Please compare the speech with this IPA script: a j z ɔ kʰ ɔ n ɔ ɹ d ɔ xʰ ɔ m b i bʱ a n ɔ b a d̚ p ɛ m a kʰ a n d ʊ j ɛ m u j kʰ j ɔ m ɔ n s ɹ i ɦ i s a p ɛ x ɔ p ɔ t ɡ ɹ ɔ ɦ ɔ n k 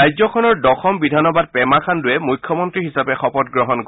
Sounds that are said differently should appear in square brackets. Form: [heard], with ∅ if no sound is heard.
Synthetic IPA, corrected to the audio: a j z ɔ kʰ ɔ n ɔ ɹ d ɔ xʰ ɔ m b i [dʱ] a n ɔ b a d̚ p ɛ m a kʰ a n d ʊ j ɛ m u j kʰ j ɔ m ɔ n [t] ɹ i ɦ i s a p ɛ x ɔ p ɔ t ɡ ɹ ɔ ɦ ɔ n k

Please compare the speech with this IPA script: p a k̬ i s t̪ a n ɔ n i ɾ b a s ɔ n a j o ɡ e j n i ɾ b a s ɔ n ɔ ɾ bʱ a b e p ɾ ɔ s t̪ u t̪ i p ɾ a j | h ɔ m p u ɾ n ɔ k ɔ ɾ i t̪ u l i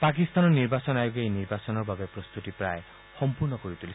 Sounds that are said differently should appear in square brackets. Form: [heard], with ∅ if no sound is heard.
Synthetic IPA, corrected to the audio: p a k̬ i s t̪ a n ɔ n i ɾ b a s ɔ n a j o ɡ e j n i ɾ b a s ɔ n ɔ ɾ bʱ a b e p ɾ ɔ s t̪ u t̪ i p ɾ a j | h ɔ m p u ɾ n ɔ k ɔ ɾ i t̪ u l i

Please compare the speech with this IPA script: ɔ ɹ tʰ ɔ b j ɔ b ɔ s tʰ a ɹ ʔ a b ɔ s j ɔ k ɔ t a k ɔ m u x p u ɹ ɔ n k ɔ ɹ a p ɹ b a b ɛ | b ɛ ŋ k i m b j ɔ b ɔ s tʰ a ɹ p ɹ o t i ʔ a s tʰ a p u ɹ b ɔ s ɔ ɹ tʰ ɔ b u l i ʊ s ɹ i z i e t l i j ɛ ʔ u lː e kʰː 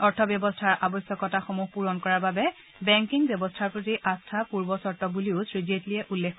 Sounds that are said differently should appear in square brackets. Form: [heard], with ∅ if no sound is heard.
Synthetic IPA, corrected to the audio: ɔ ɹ tʰ ɔ b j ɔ b ɔ s tʰ a ɹ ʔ a b ɔ s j ɔ k ɔ t a [x] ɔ m u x p u ɹ ɔ n k ɔ ɹ a [∅] ɹ b a b ɛ | b ɛ ŋ k i [ŋ] b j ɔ b ɔ s tʰ a ɹ p ɹ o t i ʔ a s tʰ a p u ɹ b ɔ s ɔ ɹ [t] ɔ b u l i ʊ s ɹ i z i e t l i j ɛ ʔ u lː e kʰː

